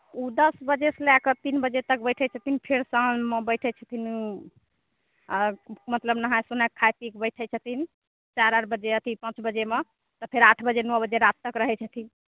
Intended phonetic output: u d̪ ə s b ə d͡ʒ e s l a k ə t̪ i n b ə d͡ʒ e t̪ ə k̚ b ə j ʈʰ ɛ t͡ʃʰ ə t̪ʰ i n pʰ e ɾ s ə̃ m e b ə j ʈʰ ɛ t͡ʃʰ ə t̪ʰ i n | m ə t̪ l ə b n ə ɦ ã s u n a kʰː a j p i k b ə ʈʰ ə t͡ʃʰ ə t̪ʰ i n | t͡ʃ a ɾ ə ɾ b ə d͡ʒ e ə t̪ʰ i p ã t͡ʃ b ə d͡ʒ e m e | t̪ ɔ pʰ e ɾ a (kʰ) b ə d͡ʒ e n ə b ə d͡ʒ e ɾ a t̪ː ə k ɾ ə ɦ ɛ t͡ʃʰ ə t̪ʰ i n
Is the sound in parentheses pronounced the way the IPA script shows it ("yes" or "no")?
no